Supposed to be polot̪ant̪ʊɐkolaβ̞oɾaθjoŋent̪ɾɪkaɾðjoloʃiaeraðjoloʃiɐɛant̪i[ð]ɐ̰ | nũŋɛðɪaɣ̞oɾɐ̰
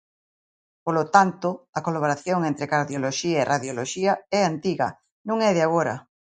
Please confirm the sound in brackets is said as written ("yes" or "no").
no